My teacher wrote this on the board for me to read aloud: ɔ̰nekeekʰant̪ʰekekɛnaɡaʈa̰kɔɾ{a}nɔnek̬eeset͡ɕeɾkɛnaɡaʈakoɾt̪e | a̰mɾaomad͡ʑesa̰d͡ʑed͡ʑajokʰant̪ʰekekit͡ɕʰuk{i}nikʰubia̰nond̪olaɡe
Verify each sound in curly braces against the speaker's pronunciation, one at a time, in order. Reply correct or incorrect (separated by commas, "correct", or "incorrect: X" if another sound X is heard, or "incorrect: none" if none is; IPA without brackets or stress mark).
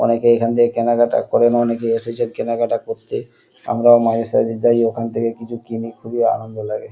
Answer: incorrect: e, correct